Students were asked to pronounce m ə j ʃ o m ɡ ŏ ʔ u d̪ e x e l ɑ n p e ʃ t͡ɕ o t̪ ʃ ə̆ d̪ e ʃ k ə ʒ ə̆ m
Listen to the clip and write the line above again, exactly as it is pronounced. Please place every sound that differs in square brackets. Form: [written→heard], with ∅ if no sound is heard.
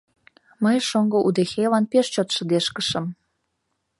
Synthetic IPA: m ə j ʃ o [m→ŋ] ɡ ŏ ʔ u d̪ e x e l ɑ n p e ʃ t͡ɕ o t̪ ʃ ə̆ d̪ e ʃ k ə [ʒ→ʃ] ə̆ m